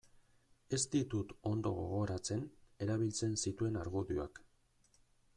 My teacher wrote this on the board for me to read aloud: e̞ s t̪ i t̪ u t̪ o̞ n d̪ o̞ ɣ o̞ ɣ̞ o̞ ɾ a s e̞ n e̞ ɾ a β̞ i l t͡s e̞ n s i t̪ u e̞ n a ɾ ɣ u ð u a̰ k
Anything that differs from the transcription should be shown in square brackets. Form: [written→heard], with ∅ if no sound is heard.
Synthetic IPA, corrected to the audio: e̞ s t̪ i t̪ u t̪ o̞ n d̪ o̞ ɣ o̞ ɣ̞ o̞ ɾ a [s→t͡s] e̞ n e̞ ɾ a β̞ i l t͡s e̞ n s i t̪ u e̞ n a ɾ ɣ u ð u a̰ k